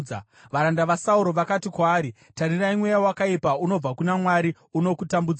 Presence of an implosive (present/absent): absent